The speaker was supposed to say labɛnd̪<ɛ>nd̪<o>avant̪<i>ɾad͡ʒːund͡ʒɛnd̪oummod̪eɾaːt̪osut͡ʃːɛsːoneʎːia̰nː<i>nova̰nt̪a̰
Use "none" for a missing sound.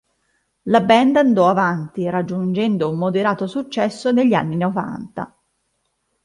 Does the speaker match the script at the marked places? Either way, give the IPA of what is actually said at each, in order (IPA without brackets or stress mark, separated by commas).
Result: a, ɔ, i, i